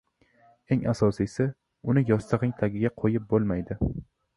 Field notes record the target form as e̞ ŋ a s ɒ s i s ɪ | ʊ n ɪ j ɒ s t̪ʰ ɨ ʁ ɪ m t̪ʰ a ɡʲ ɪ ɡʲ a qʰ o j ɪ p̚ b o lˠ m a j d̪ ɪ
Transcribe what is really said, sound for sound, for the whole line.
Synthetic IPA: e̞ ŋ a s ɒ s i s ɪ | ʊ n ɪ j ɒ s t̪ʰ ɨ ʁ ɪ ŋ t̪ʰ a ɡʲ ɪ ɡʲ a qʰ o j ɪ p̚ b o lˠ m a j d̪ ɪ

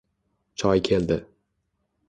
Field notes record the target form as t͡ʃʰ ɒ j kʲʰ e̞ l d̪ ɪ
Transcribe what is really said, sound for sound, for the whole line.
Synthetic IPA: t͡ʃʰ ɒ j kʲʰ e̞ l d̪ ɪ

